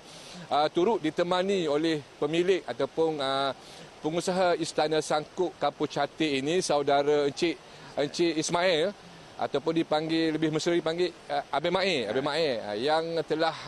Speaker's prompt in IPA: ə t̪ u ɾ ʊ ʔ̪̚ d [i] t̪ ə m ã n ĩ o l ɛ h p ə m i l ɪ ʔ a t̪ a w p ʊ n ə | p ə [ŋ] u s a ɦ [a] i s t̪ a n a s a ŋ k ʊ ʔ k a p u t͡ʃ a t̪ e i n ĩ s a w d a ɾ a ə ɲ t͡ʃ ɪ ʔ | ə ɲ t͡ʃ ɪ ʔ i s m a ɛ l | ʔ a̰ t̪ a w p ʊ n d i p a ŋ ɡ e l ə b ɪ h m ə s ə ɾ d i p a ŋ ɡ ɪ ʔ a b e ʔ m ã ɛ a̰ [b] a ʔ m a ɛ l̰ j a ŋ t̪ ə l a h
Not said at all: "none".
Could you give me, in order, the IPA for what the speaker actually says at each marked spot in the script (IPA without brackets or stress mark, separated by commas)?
i, ŋ, a, b